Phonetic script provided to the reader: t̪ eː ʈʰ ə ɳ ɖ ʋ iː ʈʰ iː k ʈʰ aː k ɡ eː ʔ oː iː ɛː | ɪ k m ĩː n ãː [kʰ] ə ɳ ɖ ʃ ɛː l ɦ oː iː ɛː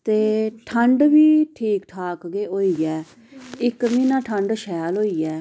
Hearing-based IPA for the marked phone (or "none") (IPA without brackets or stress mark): ʈʰ